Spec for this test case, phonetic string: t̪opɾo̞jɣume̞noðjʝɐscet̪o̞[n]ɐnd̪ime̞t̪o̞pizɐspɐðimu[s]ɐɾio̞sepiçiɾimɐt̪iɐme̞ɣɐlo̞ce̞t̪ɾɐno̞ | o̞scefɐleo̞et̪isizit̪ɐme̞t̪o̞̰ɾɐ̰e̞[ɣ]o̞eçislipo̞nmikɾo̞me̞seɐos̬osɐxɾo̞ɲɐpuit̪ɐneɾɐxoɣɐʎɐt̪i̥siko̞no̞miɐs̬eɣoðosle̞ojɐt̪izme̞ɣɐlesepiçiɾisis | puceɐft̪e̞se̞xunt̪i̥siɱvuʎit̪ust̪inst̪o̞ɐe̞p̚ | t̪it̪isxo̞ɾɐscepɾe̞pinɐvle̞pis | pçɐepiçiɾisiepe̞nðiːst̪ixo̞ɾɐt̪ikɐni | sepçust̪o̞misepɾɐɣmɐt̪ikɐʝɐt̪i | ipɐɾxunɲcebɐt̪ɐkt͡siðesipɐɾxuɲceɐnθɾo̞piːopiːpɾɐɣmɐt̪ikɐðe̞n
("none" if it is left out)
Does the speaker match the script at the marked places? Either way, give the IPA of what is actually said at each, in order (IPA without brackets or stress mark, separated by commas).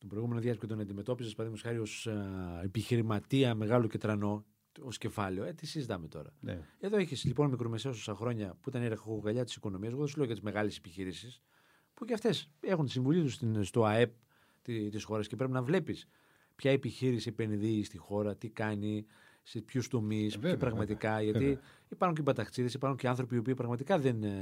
n, s, ð